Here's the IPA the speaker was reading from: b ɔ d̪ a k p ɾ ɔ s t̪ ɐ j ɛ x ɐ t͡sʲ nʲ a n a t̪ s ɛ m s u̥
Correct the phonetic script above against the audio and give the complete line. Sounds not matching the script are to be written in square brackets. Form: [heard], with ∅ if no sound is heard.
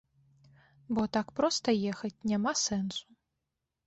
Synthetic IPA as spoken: b ɔ [t̪] a k p ɾ ɔ s t̪ ɐ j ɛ x ɐ t͡sʲ nʲ a [m] a [∅] s ɛ [n] s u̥